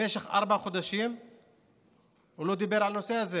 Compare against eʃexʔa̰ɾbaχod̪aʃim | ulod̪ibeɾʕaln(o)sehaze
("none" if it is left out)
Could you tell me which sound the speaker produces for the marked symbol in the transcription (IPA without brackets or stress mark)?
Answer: o